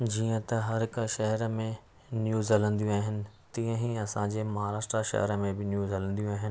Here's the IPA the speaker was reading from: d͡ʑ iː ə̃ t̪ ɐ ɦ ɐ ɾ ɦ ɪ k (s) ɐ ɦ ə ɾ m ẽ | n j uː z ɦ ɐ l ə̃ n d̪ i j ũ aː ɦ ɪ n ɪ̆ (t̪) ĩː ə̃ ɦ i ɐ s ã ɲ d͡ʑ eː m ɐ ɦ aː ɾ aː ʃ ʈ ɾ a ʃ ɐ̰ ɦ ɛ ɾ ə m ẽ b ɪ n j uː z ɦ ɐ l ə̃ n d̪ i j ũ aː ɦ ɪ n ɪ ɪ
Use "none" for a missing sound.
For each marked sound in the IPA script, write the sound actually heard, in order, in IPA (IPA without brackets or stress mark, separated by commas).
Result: ʃ, t̪